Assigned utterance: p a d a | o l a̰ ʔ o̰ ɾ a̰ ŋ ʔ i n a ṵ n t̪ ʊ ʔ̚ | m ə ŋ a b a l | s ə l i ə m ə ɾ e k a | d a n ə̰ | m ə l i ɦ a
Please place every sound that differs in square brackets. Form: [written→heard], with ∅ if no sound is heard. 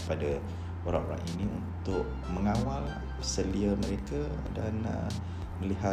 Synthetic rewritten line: p a d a | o [l→ɾ] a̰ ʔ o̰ ɾ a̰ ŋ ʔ i n [a→i] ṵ n t̪ ʊ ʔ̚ | m ə ŋ a [b→w] a l | s ə l i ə m ə ɾ e k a | d a n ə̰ | m ə l i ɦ a